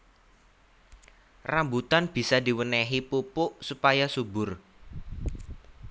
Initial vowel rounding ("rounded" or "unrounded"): unrounded